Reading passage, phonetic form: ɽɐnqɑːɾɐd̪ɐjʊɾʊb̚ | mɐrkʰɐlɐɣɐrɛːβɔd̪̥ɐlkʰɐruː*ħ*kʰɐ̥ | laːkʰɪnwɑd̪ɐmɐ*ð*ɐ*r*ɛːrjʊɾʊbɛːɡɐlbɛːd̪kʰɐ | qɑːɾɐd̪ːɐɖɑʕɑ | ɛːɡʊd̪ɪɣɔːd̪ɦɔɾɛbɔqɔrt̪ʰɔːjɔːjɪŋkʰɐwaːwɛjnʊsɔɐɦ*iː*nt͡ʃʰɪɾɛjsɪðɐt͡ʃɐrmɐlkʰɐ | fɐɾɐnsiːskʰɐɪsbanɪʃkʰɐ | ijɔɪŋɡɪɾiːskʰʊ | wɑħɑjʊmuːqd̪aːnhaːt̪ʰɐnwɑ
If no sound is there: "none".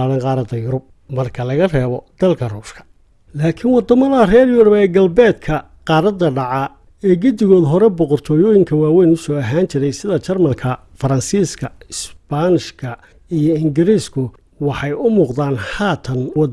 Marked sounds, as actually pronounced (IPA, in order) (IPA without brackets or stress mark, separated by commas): ʃ, ð, r, aː